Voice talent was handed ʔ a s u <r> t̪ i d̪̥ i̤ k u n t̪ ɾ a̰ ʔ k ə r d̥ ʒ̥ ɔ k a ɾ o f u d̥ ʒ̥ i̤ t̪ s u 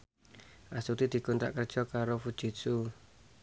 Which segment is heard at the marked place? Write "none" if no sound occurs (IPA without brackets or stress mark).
none